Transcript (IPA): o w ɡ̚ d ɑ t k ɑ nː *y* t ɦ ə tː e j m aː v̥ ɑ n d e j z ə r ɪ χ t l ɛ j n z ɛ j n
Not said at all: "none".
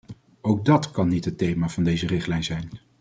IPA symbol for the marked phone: i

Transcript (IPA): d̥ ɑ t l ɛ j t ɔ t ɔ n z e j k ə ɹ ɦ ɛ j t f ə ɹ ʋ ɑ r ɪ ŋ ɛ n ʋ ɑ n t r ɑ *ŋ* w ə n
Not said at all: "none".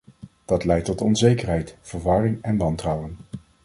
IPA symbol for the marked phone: none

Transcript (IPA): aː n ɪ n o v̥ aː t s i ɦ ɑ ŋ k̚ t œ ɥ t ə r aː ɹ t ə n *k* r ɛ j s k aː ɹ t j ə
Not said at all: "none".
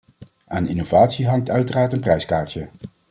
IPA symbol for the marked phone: p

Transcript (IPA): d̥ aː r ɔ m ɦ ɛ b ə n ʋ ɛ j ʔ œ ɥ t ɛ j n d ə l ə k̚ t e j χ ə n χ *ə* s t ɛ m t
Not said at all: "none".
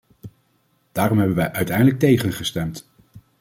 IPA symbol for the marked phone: ə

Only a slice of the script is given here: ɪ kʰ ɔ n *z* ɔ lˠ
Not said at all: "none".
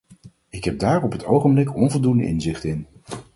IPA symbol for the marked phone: v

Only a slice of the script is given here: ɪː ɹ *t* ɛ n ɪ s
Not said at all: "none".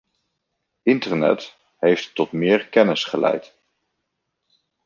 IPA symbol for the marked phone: k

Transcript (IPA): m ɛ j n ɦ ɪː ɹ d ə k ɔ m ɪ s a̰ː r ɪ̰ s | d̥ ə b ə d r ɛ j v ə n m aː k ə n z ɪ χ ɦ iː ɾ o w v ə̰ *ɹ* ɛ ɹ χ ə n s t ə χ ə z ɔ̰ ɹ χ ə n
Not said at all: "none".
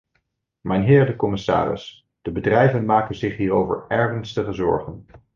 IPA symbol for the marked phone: ɹ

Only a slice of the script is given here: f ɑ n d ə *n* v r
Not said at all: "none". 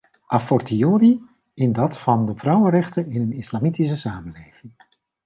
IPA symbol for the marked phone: none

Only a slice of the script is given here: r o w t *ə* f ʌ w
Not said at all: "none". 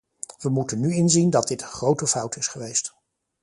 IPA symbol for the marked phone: ə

